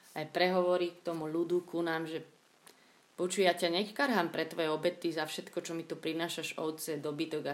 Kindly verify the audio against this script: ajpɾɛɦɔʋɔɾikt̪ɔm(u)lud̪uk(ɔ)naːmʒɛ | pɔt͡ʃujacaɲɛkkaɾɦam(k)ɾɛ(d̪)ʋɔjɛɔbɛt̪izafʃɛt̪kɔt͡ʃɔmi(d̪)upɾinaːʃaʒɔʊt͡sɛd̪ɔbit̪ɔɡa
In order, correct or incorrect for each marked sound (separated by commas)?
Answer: correct, incorrect, incorrect, incorrect, incorrect